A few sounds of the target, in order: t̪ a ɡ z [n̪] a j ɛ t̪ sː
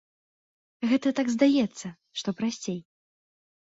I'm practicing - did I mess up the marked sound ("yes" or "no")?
yes